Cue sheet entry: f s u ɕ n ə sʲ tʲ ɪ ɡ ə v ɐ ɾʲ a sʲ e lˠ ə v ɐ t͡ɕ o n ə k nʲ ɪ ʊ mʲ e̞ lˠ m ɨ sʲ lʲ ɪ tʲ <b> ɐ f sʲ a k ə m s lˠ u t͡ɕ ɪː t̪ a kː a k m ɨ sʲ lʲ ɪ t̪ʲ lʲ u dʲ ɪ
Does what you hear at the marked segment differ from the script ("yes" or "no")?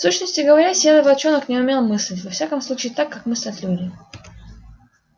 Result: yes